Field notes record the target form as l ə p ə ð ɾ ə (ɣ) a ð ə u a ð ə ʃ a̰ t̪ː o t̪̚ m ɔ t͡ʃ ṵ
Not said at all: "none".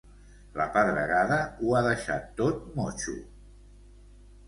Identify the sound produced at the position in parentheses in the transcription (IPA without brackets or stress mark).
ɣ